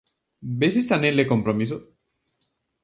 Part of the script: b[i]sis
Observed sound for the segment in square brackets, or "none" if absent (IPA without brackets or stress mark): e